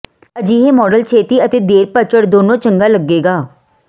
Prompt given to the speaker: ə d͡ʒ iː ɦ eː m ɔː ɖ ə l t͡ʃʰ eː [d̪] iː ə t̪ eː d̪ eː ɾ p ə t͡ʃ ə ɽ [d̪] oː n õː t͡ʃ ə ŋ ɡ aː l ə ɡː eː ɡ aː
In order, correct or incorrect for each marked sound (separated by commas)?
incorrect, correct